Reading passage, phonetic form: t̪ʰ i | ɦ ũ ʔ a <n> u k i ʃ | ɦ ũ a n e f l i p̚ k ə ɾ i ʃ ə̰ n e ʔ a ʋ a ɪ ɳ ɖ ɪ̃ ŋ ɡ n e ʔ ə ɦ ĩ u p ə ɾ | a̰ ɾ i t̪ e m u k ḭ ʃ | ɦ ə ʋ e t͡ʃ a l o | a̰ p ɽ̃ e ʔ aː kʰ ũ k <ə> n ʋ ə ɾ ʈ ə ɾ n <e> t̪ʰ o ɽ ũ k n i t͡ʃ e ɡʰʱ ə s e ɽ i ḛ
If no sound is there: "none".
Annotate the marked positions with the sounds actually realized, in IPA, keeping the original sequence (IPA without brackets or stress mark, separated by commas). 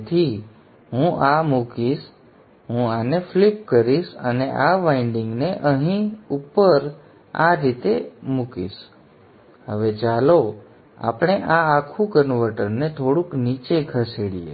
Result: m, ə, e